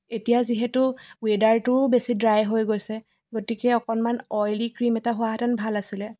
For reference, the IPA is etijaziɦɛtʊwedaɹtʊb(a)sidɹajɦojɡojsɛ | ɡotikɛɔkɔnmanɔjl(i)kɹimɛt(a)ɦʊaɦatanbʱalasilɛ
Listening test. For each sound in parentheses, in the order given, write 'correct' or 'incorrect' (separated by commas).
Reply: incorrect, correct, correct